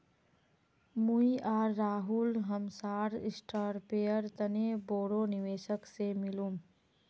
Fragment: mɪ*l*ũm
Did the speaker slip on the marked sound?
no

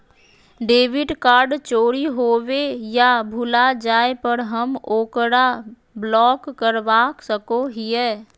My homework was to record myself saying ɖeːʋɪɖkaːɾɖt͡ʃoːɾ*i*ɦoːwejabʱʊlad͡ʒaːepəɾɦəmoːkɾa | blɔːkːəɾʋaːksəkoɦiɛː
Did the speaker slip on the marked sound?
no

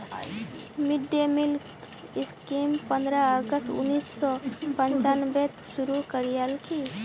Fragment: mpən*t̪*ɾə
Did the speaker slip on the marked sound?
yes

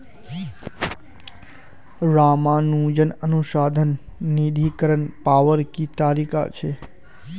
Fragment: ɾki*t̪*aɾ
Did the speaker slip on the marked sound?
no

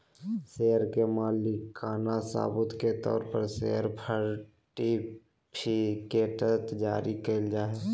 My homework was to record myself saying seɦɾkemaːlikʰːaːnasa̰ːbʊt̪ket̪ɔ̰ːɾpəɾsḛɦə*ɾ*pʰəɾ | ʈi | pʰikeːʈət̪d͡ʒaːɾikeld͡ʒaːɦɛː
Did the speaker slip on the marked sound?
no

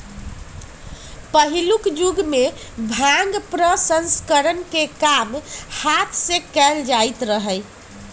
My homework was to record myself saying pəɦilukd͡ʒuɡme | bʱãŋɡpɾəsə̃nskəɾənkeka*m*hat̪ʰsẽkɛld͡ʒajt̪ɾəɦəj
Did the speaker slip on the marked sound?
no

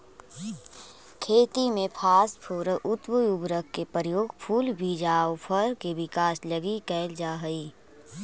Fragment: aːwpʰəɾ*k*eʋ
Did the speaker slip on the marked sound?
no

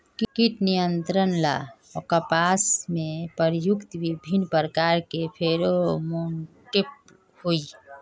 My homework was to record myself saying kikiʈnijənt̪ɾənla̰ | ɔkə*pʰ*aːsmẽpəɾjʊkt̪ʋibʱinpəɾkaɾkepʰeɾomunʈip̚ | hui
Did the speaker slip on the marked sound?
yes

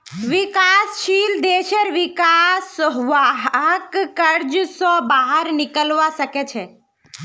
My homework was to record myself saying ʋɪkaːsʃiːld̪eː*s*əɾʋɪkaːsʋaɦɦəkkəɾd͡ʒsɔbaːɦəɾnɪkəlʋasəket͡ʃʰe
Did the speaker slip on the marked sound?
yes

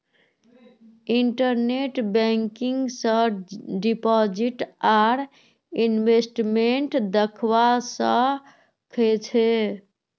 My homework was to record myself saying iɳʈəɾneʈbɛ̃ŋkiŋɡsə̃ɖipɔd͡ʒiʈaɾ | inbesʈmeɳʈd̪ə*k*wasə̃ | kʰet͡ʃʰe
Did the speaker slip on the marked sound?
yes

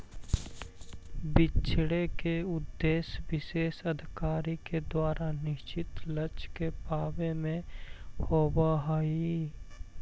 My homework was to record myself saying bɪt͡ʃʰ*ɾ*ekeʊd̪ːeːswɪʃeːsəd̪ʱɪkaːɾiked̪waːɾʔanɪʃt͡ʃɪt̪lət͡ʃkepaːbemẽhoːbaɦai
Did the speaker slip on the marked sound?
yes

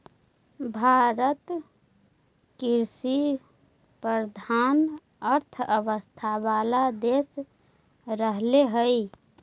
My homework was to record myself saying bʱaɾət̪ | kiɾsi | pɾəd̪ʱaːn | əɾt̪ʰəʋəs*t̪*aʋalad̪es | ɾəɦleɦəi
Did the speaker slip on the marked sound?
yes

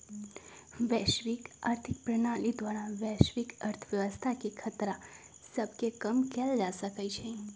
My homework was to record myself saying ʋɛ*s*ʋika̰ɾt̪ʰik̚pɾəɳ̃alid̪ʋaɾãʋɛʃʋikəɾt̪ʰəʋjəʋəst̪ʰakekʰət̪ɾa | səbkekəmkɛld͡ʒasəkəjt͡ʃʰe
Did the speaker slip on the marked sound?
yes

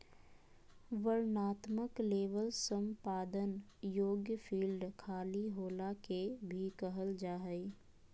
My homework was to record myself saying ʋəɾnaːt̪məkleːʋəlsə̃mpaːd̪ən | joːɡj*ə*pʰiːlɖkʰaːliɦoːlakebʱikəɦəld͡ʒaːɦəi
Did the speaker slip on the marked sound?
no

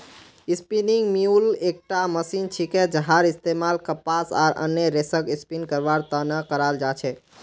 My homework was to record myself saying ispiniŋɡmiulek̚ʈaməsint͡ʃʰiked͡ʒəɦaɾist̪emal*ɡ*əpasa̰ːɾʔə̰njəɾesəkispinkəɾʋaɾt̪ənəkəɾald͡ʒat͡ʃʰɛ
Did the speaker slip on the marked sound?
yes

